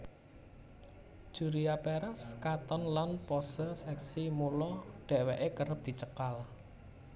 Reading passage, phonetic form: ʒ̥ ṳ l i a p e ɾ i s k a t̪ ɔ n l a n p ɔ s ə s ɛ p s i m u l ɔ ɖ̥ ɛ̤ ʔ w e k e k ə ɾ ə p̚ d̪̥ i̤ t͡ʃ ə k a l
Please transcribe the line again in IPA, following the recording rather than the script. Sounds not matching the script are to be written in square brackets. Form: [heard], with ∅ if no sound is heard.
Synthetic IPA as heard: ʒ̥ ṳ [ɾ] i a p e ɾ [a] s k a t̪ ɔ n l a n p ɔ s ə s ɛ [k] s i m u l ɔ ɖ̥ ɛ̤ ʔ w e [ʔ] e k ə ɾ ə p̚ d̪̥ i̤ t͡ʃ ə k a l